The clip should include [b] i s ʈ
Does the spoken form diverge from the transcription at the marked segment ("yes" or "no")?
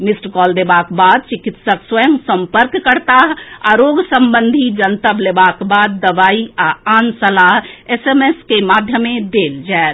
yes